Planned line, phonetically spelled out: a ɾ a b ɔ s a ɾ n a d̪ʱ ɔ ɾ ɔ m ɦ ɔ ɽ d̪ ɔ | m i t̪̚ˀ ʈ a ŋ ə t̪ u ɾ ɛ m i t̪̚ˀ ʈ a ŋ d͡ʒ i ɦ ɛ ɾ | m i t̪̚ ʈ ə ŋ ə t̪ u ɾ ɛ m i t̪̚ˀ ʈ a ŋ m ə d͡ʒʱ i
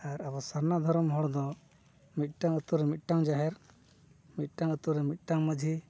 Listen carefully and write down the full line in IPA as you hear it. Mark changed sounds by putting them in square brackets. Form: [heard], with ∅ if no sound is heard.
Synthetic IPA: a ɾ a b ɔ s a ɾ n a d̪ʱ ɔ ɾ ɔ m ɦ ɔ ɽ d̪ ɔ | m i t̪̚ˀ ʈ a ŋ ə t̪ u ɾ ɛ m i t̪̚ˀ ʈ a ŋ d͡ʒ [a] ɦ ɛ ɾ | m i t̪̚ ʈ [a] ŋ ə t̪ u ɾ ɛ m i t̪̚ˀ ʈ a ŋ m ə d͡ʒʱ i